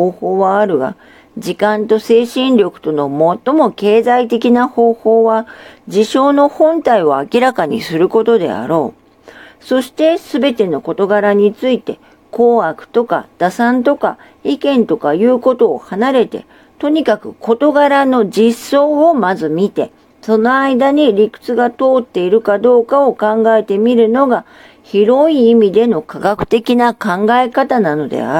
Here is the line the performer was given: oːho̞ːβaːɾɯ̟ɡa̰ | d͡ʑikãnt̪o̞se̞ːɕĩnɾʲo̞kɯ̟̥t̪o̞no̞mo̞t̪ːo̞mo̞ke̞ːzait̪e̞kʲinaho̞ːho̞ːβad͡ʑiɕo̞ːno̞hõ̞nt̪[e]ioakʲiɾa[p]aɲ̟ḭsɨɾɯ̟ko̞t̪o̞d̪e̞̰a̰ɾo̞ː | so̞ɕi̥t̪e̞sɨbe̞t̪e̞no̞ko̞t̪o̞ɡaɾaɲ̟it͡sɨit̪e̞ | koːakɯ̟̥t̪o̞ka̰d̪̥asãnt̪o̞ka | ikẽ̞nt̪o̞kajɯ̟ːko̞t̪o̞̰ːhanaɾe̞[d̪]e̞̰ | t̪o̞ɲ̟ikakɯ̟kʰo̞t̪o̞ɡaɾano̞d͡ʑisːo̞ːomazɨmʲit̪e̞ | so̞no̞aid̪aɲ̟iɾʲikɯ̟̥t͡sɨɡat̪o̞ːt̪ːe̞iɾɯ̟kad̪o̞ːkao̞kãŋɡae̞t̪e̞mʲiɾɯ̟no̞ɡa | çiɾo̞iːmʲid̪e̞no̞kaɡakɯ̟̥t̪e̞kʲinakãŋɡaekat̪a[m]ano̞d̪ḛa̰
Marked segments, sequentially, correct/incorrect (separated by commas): incorrect, incorrect, incorrect, incorrect